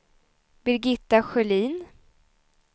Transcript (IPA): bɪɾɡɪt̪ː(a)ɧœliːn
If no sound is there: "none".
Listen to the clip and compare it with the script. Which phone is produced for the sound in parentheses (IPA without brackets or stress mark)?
a